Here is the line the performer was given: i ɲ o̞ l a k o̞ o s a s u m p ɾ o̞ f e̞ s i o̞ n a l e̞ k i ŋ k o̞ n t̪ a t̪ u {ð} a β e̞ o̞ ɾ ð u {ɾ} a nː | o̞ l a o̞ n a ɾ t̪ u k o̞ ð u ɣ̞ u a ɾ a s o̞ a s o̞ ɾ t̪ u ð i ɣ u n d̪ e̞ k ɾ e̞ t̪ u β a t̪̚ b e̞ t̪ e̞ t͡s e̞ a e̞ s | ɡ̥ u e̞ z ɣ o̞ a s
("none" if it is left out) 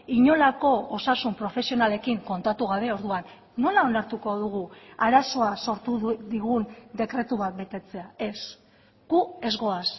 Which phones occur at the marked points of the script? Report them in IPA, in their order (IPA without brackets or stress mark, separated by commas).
ɣ, none